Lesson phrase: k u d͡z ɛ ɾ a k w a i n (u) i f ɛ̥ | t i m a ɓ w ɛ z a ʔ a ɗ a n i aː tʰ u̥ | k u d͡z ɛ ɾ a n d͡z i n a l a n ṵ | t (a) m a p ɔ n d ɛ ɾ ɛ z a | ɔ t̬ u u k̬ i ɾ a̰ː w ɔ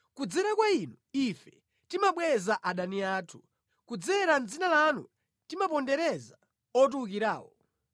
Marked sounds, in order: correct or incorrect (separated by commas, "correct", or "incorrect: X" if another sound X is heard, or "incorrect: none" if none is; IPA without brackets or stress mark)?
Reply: correct, incorrect: i